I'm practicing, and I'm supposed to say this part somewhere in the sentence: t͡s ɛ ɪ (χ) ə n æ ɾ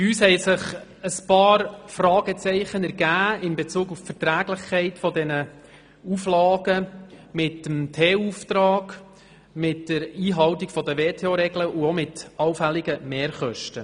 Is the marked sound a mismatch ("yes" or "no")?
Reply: no